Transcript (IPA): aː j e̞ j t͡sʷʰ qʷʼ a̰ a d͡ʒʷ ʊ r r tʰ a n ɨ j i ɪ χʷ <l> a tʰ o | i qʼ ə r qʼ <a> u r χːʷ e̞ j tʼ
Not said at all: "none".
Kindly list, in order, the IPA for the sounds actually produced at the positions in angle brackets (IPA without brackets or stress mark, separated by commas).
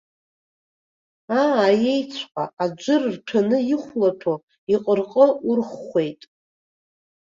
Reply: l, ə